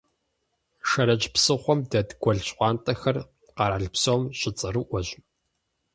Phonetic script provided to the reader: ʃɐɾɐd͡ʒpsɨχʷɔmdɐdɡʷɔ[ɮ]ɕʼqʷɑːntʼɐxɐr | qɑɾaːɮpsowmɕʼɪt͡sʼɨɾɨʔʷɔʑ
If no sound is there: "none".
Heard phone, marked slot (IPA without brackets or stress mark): ɮ